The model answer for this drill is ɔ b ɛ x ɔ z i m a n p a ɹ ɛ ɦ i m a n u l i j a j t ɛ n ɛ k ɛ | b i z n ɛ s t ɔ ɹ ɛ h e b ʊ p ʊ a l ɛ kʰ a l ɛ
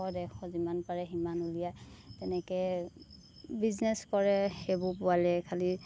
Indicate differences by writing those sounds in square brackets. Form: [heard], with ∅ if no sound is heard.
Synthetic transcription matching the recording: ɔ [d] ɛ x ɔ z i m a n p a ɹ ɛ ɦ i m a n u l i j a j t ɛ n ɛ k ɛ | b i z n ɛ s [k] ɔ ɹ ɛ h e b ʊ p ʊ a l ɛ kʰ a l [i]